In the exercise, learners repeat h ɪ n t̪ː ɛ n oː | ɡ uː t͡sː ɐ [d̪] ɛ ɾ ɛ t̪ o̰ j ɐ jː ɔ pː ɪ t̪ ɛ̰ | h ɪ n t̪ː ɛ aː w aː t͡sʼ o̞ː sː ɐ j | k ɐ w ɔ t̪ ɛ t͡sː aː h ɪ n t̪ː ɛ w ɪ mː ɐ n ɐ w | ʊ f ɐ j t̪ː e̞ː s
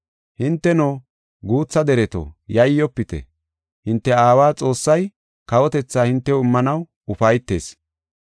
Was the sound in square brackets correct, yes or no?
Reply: yes